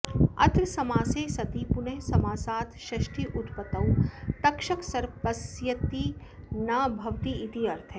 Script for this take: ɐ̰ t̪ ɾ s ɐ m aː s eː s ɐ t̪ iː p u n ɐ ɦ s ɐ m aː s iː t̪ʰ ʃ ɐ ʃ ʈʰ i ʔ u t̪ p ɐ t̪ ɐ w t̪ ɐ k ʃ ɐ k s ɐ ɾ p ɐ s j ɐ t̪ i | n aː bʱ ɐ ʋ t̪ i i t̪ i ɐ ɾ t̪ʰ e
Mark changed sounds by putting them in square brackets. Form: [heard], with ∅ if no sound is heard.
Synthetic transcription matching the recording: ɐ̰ t̪ ɾ s ɐ m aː s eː s ɐ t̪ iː p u n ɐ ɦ s ɐ m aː s [aː] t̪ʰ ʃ ɐ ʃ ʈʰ i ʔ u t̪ p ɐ t̪ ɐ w t̪ ɐ k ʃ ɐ k s ɐ ɾ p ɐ s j ɐ t̪ i | n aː bʱ ɐ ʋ t̪ i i t̪ i ɐ ɾ t̪ʰ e